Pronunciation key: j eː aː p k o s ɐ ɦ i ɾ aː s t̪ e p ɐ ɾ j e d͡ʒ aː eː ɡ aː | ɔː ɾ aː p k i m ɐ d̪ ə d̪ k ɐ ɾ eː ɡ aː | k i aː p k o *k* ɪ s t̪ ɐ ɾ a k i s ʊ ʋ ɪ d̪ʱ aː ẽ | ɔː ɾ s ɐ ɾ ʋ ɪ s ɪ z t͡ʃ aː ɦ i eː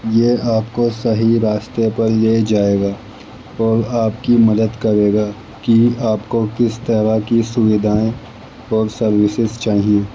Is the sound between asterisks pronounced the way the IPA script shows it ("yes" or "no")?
yes